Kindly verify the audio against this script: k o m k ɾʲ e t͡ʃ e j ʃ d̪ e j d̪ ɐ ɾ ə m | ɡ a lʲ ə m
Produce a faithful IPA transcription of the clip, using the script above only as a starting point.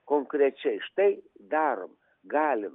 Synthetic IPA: k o ŋ k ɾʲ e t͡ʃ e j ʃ t̪ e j d̪ a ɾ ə m | ɡ a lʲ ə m